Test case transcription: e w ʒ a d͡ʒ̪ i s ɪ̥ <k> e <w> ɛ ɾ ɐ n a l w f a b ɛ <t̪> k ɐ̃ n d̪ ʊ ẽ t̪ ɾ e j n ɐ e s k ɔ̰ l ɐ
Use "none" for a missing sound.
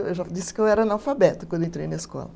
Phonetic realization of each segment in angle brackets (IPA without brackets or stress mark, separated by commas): k, w, t̪